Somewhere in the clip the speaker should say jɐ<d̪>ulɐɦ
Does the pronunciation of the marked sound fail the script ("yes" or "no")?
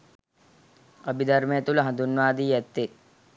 yes